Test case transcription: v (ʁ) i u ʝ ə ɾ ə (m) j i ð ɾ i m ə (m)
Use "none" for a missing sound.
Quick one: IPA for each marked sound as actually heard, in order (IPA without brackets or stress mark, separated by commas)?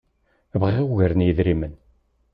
ʁ, n, n